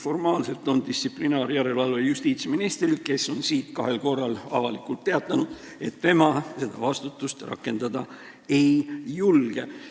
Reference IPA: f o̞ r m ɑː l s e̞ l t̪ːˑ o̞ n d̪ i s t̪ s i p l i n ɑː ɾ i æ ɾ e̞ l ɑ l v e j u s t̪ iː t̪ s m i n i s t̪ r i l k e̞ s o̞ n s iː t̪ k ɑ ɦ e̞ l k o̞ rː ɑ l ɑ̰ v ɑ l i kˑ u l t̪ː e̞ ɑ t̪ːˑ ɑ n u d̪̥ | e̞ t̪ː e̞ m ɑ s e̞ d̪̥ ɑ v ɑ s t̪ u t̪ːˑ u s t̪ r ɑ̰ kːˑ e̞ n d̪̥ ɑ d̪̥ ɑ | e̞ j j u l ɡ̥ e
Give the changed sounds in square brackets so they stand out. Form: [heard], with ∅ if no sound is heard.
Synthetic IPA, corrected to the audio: f o̞ r m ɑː l s e̞ l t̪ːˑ o̞ n d̪ i s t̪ s i p l i n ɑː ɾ [j] æ ɾ e̞ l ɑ l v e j u s t̪ iː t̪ s m i n i s t̪ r i l k e̞ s o̞ n s iː t̪ k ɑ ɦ e̞ l k o̞ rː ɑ l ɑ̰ v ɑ l i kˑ u l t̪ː e̞ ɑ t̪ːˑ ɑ n u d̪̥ | e̞ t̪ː e̞ m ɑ s e̞ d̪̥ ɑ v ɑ s t̪ u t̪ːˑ u s t̪ r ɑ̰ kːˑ e̞ n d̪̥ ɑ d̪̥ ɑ | e̞ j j u l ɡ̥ e